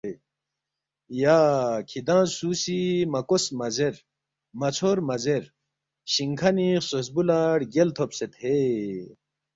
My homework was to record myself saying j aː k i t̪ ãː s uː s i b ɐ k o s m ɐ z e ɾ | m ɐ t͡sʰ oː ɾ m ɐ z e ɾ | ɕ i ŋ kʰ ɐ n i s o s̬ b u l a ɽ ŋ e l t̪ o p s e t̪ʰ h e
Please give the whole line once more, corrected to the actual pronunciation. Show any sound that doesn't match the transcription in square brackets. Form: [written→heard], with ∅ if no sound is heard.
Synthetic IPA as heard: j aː [k→kʰ] i [t̪→d̪] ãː s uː s i [b→m] ɐ k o s m ɐ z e ɾ | m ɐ t͡sʰ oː ɾ m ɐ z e ɾ | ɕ i ŋ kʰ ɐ n i s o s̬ b u l a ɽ [ŋ→ɡ] e l [t̪→t̪ʰ] o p s e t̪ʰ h e